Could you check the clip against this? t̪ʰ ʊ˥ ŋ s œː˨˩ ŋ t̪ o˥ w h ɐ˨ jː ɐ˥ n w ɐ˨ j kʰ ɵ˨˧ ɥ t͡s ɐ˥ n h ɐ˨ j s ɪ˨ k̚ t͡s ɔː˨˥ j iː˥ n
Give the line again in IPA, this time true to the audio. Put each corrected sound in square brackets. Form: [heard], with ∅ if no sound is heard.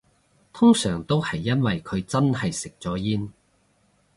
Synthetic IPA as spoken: t̪ʰ ʊ˥ ŋ s œː˨˩ ŋ t̪ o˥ w h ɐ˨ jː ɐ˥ n w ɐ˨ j kʰ ɵ˨˧ ɥ t͡s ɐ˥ n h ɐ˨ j s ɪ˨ k̚ t͡s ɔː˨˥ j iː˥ n